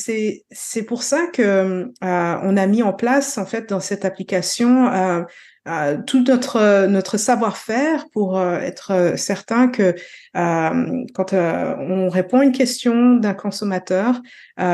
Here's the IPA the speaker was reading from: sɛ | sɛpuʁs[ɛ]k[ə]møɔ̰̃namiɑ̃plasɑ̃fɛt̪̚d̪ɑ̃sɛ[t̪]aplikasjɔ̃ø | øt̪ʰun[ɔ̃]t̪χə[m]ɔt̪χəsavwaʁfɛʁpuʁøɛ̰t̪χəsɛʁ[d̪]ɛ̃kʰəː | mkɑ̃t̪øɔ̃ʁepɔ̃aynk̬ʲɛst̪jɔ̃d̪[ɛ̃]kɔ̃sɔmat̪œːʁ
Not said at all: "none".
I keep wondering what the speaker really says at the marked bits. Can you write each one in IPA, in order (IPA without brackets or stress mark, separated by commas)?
a, ə, t̪, ɔ, n, t̪, ɛ̃